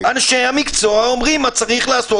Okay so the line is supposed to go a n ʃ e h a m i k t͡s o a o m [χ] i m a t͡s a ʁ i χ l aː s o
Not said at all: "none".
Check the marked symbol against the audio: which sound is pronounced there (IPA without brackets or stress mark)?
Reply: ʁ